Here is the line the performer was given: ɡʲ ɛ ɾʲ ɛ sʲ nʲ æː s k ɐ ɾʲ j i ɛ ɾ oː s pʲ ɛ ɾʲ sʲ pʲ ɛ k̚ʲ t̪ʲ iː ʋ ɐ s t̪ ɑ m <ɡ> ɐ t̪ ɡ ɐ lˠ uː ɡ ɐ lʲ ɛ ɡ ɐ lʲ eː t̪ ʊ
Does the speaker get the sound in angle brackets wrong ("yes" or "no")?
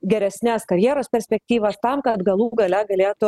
yes